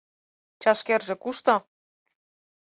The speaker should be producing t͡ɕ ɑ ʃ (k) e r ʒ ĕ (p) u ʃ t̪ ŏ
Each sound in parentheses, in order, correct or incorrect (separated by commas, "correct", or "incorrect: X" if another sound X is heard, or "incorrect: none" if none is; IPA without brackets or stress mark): correct, incorrect: k